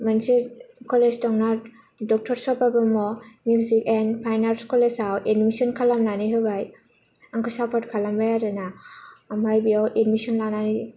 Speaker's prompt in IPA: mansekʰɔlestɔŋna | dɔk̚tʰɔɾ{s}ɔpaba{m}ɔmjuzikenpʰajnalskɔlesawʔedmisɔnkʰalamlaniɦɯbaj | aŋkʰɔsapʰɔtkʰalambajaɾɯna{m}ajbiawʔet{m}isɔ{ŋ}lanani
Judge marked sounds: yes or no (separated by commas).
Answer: yes, yes, yes, yes, no